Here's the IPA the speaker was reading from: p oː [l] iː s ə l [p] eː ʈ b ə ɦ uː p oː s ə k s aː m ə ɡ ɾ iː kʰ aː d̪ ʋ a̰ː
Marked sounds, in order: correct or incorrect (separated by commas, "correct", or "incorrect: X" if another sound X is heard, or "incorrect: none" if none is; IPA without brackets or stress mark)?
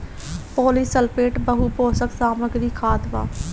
correct, correct